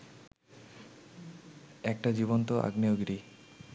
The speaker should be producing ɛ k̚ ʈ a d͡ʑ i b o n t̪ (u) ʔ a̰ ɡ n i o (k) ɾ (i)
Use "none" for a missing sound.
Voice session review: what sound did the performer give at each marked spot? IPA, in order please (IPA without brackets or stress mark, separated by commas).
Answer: o, ɡ, i